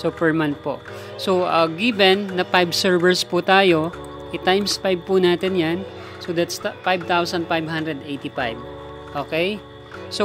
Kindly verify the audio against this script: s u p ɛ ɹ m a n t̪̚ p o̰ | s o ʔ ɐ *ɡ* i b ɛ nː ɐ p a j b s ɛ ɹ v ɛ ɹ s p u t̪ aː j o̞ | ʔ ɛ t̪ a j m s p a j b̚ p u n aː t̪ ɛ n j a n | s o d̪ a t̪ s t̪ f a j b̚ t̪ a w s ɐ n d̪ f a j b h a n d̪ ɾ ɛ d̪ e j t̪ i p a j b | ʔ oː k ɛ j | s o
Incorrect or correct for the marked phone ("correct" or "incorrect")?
correct